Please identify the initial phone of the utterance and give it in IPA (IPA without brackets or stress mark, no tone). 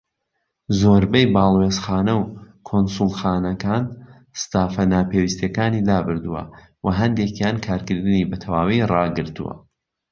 z